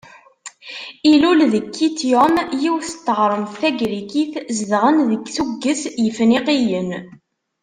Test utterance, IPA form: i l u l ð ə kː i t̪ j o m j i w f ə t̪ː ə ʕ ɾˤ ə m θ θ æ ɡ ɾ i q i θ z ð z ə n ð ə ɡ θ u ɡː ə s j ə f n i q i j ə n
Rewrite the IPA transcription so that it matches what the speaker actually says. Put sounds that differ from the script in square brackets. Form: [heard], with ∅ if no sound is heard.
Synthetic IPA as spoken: i l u l ð ə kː i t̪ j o m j i w [θ] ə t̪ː ə [ʁ] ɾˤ ə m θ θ æ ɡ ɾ i [k] i θ z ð [ʁ] ə n ð ə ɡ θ u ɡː ə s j ə f n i q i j ə n